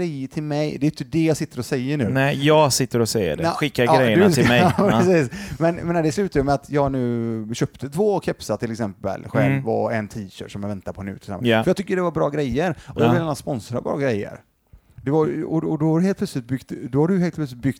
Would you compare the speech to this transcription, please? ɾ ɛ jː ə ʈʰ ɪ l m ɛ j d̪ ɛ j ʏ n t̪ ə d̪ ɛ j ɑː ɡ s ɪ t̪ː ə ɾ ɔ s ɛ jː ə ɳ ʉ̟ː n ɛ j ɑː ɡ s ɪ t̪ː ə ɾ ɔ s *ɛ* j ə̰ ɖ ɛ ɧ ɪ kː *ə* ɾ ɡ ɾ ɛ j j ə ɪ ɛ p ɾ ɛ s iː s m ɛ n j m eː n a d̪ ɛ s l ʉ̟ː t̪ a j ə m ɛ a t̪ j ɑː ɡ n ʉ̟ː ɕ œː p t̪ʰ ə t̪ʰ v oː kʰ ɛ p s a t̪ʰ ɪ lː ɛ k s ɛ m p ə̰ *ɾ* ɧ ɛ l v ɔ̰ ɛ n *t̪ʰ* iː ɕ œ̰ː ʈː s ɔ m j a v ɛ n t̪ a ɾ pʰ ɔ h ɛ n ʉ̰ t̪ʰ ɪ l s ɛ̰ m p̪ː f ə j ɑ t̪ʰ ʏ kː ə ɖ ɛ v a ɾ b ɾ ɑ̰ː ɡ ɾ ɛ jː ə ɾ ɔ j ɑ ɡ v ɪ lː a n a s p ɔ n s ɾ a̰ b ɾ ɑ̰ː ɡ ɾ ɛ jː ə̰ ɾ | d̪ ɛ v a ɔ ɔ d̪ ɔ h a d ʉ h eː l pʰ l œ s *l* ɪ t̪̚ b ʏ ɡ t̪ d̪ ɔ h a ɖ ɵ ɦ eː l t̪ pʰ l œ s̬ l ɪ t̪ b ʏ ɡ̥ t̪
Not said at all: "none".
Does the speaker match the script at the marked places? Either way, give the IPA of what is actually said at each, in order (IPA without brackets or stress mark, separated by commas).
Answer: ɛ, a, l, t̪ʰ, l